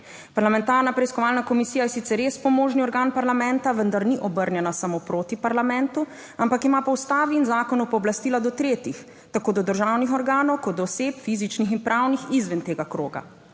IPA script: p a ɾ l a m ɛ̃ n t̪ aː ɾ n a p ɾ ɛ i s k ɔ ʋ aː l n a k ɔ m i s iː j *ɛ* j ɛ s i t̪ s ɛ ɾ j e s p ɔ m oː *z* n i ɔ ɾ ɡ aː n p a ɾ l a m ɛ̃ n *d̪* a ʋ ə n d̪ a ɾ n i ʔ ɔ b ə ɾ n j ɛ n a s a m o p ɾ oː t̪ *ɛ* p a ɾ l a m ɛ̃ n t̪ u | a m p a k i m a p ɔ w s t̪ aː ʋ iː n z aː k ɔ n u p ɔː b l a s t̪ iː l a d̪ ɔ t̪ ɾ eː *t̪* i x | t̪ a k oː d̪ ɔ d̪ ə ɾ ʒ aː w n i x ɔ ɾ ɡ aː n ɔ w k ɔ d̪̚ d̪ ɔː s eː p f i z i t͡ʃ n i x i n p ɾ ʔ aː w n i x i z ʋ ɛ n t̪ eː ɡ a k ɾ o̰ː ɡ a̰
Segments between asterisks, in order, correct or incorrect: incorrect, incorrect, incorrect, incorrect, correct

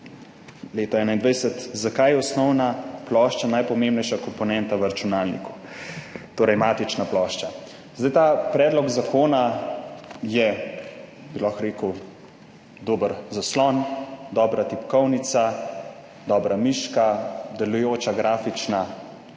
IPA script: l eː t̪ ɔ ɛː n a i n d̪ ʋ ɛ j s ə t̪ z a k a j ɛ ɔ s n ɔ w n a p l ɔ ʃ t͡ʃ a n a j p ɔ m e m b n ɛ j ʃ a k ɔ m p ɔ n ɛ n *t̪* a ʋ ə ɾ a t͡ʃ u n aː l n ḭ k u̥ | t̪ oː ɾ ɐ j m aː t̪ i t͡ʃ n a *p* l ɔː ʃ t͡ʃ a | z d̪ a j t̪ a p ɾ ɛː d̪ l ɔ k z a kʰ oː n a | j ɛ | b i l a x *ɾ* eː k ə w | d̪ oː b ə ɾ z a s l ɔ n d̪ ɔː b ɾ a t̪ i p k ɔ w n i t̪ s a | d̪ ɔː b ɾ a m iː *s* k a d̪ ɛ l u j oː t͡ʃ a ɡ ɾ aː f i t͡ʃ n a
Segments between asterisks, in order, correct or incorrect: correct, correct, correct, incorrect

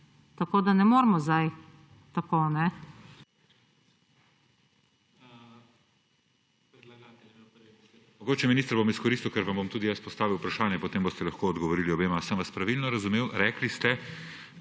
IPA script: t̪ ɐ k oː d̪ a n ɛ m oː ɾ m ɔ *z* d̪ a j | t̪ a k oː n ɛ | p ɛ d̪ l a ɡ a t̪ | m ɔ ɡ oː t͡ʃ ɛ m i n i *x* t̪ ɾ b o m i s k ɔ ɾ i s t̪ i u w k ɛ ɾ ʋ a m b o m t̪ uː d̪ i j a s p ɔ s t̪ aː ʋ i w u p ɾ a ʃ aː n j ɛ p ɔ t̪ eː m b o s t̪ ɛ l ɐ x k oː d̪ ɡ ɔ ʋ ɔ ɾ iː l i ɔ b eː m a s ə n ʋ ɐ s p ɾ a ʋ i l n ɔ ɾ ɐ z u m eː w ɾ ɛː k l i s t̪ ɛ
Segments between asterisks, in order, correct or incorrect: correct, incorrect

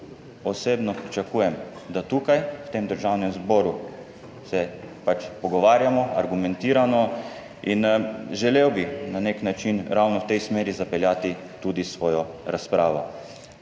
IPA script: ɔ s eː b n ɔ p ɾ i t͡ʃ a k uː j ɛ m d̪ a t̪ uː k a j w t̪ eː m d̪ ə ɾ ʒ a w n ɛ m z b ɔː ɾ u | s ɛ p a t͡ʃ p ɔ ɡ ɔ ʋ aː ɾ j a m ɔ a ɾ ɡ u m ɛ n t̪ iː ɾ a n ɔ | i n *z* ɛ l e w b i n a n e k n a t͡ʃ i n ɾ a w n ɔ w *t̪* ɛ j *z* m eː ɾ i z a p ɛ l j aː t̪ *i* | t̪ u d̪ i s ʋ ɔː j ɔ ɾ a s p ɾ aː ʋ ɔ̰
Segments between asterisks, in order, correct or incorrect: incorrect, correct, incorrect, correct

